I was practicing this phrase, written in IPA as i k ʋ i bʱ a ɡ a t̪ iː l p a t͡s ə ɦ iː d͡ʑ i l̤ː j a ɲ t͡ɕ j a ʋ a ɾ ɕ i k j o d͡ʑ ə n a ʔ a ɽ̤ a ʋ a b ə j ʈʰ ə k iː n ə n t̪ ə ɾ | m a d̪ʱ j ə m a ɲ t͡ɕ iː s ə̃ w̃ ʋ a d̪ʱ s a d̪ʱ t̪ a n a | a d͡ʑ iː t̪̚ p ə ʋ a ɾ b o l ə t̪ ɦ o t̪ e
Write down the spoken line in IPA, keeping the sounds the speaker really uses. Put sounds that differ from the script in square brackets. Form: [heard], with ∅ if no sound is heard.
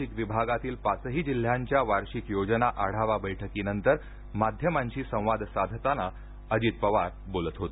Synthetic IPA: i k ʋ i bʱ a ɡ a t̪ iː l p a t͡s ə ɦ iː d͡ʑ i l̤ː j a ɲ t͡ɕ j a ʋ a ɾ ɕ i k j o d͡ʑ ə n a ʔ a ɽ̤ a ʋ a b ə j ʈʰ ə k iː n ə n t̪ ə ɾ | m a d̪ʱ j ə m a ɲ t͡ɕ iː s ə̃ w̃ ʋ a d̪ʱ s a d̪ʱ t̪ a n a | [ə] d͡ʑ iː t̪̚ p ə ʋ a ɾ b o l ə t̪ ɦ o t̪ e